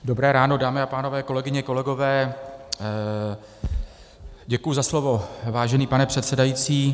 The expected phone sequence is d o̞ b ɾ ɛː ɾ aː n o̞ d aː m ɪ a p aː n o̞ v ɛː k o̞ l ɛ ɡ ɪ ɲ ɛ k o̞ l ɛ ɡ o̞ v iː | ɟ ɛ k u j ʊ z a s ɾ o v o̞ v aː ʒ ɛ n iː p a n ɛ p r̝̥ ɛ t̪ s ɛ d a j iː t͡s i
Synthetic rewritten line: d o̞ b ɾ ɛː ɾ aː n o̞ d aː m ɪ a p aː n o̞ v ɛː k o̞ l ɛ ɡ ɪ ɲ ɛ k o̞ l ɛ ɡ o̞ v ɛː | ɟ ɛ k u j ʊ z a s l o v o̞ v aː ʒ ɛ n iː p a n ɛ p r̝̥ ɛ t̪ s ɛ d a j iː t͡s iː

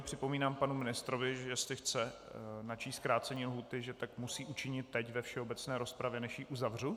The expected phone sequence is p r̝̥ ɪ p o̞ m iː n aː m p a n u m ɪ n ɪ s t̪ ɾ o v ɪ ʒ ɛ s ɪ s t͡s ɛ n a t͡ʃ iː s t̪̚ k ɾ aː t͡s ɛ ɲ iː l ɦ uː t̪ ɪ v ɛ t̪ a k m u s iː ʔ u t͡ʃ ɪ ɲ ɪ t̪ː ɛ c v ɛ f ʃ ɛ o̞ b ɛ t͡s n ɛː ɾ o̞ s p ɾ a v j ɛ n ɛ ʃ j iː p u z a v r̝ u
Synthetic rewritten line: p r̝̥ ɪ p o̞ m iː n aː m p a n u m ɪ n ɪ s t̪ ɾ o v ɪ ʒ ɛ s ɪ x t͡s ɛ n a t͡ʃ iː s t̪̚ k ɾ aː t͡s ɛ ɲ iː l ɦ uː t̪ ɪ ʒ ɛ t̪ a k m u s iː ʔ u t͡ʃ ɪ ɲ ɪ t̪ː ɛ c v ɛ f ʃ ɛ o̞ b ɛ t͡s n ɛː ɾ o̞ s p ɾ a v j ɛ n ɛ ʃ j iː ʔ u z a v r̝ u

